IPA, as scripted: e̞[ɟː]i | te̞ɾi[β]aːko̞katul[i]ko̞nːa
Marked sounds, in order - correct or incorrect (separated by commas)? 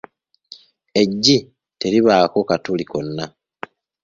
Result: correct, correct, correct